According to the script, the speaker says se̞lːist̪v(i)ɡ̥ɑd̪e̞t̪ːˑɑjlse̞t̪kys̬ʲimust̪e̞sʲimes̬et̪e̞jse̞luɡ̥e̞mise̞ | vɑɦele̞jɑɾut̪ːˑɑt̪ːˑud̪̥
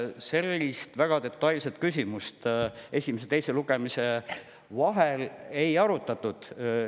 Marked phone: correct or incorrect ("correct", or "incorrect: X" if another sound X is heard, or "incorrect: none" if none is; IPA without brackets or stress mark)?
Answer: incorrect: æ